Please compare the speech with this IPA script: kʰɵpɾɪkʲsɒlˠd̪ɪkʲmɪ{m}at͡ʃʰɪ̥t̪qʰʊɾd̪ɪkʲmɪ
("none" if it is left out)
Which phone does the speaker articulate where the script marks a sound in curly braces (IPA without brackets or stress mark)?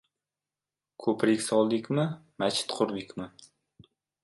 m